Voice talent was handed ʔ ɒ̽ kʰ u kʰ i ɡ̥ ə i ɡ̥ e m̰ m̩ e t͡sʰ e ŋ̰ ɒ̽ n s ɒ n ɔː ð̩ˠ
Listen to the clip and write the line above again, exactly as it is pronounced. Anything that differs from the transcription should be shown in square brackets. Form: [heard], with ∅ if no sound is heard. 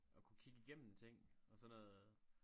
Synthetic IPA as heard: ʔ ɒ̽ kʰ u kʰ i ɡ̥ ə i ɡ̥ e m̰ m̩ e t͡sʰ e ŋ̰ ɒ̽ [∅] s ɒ n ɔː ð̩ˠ

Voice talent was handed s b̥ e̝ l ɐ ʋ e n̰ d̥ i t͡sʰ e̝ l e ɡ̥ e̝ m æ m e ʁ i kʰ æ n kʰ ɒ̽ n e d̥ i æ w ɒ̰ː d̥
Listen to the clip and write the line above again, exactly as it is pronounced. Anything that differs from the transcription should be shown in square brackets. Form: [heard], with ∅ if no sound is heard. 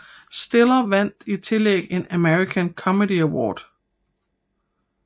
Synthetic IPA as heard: s [d̥] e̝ l ɐ ʋ [æ] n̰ d̥ i t͡sʰ e̝ l e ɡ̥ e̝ [n] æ m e ʁ i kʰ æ n kʰ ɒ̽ [m] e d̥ i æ w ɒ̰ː d̥

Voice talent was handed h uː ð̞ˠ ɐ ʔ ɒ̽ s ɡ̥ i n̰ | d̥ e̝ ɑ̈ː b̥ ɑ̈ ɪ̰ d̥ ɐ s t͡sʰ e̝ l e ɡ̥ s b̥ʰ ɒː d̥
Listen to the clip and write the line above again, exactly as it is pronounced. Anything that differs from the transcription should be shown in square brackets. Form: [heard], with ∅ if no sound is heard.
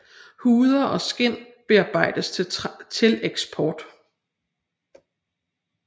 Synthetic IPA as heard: h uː ð̞ˠ ɐ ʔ ɒ̽ s ɡ̥ [e] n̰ | [b̥] e̝ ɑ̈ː b̥ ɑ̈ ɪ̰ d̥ [ə] s t͡sʰ e̝ l e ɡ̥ s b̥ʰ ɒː d̥

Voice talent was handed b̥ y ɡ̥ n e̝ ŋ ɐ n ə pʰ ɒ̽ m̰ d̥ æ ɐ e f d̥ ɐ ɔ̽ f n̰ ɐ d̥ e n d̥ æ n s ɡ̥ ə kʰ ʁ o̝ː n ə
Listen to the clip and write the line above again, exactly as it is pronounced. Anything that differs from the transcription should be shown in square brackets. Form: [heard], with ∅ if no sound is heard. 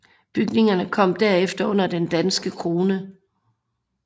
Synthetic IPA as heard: b̥ y ɡ̥ n e̝ ŋ ɐ n ə [kʰ] ɒ̽ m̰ d̥ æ ɐ e f d̥ ɐ ɔ̽ [∅] n̰ ɐ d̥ e n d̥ æ n s ɡ̥ ə kʰ ʁ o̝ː n ə

